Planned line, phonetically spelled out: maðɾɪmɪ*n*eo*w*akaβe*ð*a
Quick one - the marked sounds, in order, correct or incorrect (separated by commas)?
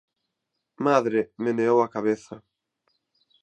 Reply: correct, correct, incorrect